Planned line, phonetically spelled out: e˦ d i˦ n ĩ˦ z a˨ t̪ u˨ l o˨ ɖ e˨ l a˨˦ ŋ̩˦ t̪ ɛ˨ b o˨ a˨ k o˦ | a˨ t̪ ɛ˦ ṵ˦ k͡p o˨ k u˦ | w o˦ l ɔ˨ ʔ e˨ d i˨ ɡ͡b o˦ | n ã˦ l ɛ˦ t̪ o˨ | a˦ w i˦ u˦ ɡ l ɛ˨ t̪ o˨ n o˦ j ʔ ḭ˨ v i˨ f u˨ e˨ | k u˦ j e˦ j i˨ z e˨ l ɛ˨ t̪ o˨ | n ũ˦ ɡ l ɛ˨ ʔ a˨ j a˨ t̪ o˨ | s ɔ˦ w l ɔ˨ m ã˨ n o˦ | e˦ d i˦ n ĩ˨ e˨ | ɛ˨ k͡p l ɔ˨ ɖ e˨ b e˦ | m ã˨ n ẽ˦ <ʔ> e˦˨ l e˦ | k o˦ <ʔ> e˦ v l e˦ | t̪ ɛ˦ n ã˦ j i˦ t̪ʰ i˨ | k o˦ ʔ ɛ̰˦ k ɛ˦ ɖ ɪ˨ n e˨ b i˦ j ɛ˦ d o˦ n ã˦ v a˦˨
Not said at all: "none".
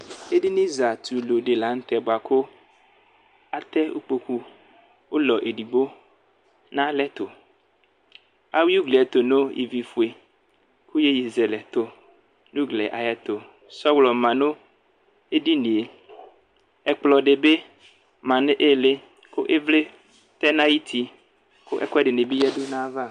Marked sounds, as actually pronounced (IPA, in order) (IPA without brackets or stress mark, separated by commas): ʔ, ʔ